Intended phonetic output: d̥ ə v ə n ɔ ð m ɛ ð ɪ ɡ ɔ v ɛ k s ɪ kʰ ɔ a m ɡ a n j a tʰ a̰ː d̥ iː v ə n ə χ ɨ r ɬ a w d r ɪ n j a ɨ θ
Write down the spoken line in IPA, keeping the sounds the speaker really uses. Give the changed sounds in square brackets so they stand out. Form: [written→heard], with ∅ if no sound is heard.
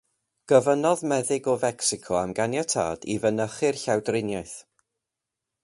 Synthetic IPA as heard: [d̥→ɡ̥] ə v ə n ɔ ð m ɛ ð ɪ ɡ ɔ v ɛ k s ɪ kʰ ɔ a m ɡ a n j a tʰ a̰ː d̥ [iː→i] v ə n ə χ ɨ r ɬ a w d r ɪ n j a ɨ θ